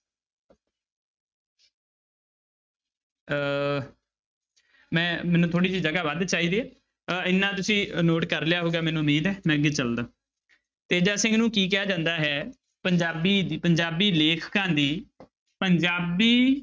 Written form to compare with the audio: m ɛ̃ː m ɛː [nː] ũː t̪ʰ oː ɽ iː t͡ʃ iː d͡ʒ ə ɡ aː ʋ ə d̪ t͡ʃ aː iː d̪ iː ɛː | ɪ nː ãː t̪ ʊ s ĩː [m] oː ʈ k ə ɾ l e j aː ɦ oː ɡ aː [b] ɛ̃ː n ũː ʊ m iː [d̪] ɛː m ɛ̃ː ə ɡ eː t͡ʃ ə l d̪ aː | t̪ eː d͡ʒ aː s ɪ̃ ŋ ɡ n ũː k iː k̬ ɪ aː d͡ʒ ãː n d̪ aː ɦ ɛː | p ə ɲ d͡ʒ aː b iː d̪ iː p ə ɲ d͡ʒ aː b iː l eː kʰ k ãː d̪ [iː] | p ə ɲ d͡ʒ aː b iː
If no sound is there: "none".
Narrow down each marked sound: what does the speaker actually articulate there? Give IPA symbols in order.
n, n, m, d̪, iː

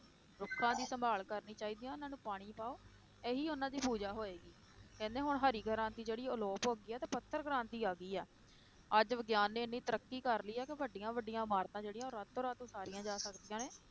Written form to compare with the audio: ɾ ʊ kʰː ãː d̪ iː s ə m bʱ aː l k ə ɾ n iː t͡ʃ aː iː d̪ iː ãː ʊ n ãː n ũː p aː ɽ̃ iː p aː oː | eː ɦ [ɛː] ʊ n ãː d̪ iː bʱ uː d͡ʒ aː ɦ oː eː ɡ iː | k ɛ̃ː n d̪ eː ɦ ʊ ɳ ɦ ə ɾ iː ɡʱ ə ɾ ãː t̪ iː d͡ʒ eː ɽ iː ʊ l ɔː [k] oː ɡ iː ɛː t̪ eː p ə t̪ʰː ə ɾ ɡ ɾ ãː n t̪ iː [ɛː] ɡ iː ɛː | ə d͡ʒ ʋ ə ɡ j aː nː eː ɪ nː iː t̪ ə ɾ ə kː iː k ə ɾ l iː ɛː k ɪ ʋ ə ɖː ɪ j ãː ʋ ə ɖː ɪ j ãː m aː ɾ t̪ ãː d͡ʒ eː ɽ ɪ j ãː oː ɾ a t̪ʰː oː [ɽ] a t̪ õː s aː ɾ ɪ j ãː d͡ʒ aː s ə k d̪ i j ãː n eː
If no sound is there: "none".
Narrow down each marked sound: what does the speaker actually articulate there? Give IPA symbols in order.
iː, p, aː, ɾ

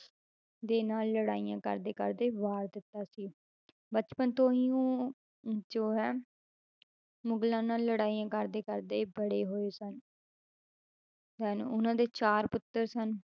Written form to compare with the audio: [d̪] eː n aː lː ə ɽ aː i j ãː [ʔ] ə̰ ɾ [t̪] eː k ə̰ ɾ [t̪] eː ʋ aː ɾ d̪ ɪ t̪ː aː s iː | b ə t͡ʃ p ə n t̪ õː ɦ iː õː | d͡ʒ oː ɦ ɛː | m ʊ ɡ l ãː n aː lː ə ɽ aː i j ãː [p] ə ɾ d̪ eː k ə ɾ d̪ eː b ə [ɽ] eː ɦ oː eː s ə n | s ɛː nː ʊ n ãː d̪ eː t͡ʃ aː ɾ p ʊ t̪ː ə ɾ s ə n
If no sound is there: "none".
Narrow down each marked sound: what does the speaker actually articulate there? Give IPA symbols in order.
d̪, k, d̪, d̪, k, ɽ

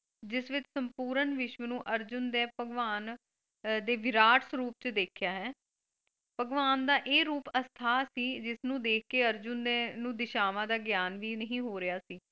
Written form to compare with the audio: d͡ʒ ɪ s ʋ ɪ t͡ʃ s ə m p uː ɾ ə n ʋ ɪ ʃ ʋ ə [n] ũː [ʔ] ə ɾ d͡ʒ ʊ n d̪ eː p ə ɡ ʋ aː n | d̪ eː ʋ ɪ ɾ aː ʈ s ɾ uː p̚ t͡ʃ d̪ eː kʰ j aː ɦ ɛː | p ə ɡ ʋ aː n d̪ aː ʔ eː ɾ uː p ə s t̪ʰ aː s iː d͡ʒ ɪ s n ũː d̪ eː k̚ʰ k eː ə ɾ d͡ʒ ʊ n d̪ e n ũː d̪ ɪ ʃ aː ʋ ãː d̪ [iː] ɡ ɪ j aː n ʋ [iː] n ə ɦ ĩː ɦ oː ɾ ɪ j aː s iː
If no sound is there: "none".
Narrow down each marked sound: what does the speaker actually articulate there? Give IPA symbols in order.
n, ʔ, aː, iː

